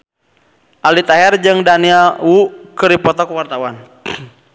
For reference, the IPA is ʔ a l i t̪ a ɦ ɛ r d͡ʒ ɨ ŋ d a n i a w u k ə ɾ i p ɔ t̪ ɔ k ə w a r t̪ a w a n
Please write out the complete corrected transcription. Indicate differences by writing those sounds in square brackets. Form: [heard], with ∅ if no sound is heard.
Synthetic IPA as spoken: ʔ a l i t̪ a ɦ ɛ r d͡ʒ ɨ ŋ d a n i a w u k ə ɾ i p ɔ t̪ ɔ k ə w a r t̪ a w a n